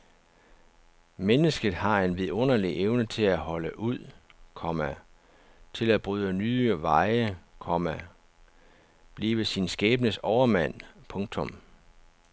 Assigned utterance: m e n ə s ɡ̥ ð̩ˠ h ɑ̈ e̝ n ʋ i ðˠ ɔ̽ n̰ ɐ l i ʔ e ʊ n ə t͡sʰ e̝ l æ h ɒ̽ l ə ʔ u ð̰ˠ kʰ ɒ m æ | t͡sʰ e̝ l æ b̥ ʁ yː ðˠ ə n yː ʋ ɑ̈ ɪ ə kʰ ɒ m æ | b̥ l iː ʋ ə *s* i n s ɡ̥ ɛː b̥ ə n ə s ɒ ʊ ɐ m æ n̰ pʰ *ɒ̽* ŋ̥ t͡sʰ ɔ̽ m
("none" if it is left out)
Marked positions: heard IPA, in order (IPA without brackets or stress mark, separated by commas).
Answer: s, ɔ̽